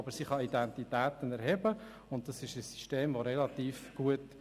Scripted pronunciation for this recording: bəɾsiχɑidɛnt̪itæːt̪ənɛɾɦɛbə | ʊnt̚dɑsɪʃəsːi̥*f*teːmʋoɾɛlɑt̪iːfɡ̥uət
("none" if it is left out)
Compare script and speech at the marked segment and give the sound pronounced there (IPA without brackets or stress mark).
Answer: ʃ